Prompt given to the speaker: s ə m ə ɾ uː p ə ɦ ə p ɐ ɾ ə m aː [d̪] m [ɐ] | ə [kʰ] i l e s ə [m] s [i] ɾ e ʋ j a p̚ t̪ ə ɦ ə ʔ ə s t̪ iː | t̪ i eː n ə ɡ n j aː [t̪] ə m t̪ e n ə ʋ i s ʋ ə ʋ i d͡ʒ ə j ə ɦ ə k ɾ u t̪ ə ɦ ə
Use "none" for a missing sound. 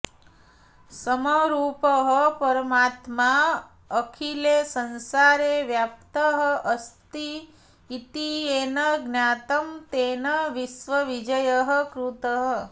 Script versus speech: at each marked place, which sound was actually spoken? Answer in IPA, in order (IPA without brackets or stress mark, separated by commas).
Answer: t̪, a, kʰ, n, a, t̪